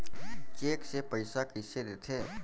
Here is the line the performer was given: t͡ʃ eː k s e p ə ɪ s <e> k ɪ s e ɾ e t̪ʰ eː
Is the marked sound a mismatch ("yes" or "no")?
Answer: yes